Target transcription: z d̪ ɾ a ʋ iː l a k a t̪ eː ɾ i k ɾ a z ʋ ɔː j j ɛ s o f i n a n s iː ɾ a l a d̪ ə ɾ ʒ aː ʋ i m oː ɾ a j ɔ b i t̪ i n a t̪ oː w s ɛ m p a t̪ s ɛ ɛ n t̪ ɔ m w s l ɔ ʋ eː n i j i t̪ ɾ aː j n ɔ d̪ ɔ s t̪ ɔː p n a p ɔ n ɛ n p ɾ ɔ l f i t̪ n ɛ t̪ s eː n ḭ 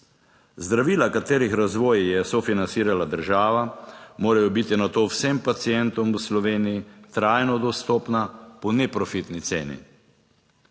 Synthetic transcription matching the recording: z d̪ ɾ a ʋ iː l a k a t̪ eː ɾ i x ɾ a z ʋ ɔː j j ɛ s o f i n a n s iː ɾ a l a d̪ ə ɾ ʒ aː ʋ a m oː ɾ a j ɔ b i t̪ i n a t̪ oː w s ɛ m p a t̪ s i ɛ n t̪ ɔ m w s l ɔ ʋ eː n i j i t̪ ɾ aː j n ɔ d̪ ɔ s t̪ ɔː p n a p ɔ n ɛ p ɾ ɔ f i t̪ n i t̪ s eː n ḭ